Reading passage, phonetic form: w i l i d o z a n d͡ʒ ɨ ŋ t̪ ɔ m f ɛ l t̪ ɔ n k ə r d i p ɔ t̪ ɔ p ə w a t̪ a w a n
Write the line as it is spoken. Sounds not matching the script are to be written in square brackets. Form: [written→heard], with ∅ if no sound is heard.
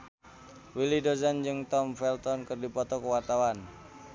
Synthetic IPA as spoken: w i l i d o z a n d͡ʒ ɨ ŋ t̪ ɔ m f ɛ l t̪ ɔ n k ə r d i p ɔ t̪ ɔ [p→k] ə w a t̪ a w a n